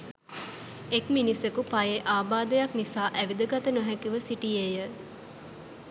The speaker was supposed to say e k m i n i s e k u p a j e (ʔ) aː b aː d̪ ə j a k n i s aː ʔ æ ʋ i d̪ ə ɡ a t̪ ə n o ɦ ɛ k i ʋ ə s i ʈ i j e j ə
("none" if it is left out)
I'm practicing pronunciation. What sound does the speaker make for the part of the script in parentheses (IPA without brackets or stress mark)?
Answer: ʔ